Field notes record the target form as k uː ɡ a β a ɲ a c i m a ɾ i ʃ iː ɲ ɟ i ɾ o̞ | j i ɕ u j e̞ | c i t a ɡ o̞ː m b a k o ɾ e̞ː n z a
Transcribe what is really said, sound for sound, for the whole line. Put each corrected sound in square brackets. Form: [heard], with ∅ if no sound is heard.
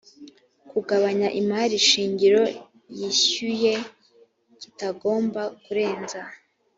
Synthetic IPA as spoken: k [u] ɡ a β a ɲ a [ʔ] i m a ɾ i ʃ iː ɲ ɟ i ɾ o̞ | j i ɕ u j e̞ | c i t a ɡ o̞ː m b a k [u] ɾ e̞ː n z a